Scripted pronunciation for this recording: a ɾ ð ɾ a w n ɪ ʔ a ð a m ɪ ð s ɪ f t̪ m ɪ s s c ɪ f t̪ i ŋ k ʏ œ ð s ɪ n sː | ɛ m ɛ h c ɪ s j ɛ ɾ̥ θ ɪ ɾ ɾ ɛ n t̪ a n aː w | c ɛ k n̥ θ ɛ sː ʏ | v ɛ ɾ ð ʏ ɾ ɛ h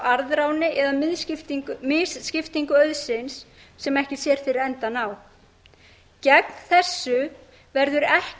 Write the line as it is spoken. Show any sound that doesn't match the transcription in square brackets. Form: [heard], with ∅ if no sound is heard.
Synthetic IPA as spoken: a ɾ ð ɾ a w n ɪ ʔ [ɛ] ð a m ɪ ð s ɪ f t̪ m ɪ s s c ɪ f t̪ i ŋ k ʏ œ ð s ɪ n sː | ɛ m ɛ h c ɪ s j ɛ ɾ̥ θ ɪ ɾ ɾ ɛ n t̪ a n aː w | c ɛ k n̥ θ ɛ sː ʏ | v ɛ ɾ ð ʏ ɾ ɛ h